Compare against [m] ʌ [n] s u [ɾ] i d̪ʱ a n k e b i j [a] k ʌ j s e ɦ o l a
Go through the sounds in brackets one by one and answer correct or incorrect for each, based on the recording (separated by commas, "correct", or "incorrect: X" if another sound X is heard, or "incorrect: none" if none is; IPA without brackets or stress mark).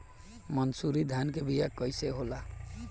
correct, correct, correct, correct